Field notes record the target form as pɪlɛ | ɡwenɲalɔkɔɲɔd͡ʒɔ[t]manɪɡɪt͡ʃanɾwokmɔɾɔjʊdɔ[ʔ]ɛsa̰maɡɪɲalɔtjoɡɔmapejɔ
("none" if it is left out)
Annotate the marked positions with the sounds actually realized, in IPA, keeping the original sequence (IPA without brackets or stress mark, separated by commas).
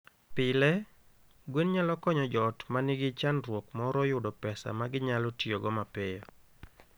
t, p